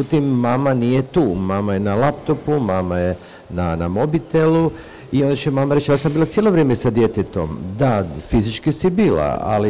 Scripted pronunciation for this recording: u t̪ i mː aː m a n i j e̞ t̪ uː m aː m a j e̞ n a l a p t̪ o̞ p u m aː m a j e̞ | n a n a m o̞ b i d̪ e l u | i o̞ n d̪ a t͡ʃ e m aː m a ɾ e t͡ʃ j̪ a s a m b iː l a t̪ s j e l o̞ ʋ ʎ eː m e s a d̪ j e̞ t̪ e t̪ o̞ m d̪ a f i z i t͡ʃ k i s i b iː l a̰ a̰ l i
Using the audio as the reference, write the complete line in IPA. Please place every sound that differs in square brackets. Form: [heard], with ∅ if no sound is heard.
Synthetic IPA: u t̪ i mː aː m a n i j e̞ t̪ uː m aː m a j e̞ n a l a p t̪ o̞ p u m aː m a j e̞ | n a n a m o̞ b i [t̪] e l u | i o̞ n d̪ a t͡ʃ e m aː m a ɾ e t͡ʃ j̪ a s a m b iː l a t̪ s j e l o̞ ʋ [ɾ] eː m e s a d̪ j e̞ t̪ e t̪ o̞ m d̪ a f i z i t͡ʃ k i s i b iː l a̰ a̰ l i